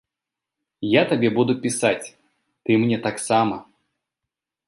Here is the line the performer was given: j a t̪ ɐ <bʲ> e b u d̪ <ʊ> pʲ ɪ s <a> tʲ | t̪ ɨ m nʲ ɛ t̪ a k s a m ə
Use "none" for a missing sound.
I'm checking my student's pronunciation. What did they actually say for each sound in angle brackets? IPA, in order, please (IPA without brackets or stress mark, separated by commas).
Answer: bʲ, ʊ, a